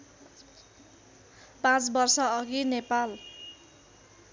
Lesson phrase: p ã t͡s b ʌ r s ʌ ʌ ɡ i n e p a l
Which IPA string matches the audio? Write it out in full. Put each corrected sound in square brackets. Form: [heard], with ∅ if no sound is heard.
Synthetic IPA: p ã t͡s b ʌ r s ʌ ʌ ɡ i n e p a l